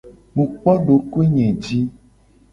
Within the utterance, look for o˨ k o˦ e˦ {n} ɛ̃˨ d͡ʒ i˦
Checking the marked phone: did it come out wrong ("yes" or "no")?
yes